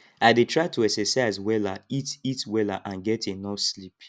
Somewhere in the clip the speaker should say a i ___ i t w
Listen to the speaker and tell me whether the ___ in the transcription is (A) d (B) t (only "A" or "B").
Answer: B